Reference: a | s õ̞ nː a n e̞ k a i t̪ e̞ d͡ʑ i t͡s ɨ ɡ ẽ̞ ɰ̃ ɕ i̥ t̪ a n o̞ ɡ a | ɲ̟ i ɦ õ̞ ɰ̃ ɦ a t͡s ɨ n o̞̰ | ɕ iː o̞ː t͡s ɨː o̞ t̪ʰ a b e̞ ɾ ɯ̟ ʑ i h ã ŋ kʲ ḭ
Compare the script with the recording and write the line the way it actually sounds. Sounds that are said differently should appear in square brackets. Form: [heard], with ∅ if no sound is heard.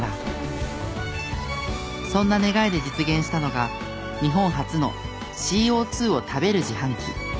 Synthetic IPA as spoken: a | s õ̞ nː a n e̞ [ɡ] a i [d̪] e̞ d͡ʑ i t͡s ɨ ɡ ẽ̞ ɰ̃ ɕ i̥ t̪ a n o̞ ɡ a | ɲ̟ i ɦ õ̞ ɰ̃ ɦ a t͡s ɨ n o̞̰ | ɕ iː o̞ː t͡s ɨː o̞ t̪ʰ a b e̞ ɾ ɯ̟ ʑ i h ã ŋ kʲ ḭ